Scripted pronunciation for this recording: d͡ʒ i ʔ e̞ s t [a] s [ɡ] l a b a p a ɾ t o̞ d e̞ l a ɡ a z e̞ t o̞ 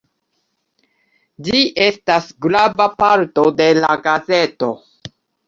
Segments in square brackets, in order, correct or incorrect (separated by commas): correct, correct